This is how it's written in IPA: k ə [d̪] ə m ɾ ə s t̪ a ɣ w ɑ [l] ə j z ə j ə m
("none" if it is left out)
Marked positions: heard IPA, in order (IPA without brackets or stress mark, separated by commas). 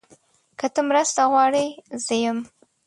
t̪, ɽ